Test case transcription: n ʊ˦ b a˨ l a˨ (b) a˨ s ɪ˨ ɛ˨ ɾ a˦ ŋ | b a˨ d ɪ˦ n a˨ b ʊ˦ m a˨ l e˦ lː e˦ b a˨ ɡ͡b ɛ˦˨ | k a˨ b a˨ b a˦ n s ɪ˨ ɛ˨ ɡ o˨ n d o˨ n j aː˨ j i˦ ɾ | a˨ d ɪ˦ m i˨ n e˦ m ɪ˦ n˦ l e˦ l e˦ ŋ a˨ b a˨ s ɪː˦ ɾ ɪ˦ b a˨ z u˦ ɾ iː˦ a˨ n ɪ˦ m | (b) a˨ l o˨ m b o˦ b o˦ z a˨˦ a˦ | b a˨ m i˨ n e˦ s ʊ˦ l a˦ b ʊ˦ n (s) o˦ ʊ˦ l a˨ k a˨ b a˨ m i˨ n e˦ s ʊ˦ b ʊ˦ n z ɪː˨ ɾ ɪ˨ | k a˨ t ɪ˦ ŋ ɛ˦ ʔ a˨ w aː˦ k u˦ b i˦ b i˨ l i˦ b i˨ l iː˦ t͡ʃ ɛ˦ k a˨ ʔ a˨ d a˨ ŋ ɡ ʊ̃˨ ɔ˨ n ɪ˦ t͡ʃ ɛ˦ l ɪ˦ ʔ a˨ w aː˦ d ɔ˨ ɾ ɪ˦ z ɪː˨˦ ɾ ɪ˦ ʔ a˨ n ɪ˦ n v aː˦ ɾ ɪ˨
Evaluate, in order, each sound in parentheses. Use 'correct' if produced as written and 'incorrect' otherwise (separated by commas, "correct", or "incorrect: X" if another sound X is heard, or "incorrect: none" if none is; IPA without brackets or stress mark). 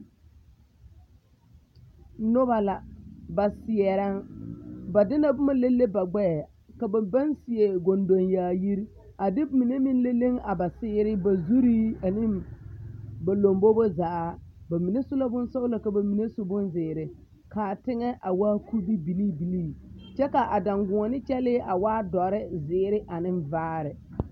correct, correct, correct